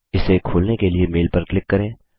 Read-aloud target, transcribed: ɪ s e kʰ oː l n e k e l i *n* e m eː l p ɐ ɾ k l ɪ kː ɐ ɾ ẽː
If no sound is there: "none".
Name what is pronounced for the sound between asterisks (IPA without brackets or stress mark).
none